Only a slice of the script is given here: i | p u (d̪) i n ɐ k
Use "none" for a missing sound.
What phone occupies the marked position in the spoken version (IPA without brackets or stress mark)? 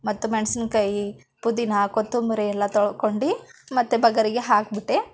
d̪